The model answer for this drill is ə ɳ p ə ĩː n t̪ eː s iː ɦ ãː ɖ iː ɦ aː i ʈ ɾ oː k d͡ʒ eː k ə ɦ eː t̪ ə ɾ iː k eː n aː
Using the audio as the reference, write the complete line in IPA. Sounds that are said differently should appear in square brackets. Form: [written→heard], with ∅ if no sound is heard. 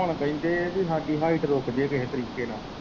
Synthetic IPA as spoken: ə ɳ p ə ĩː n [t̪→d̪] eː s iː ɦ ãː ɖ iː ɦ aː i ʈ ɾ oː k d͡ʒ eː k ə ɦ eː t̪ ə ɾ iː k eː n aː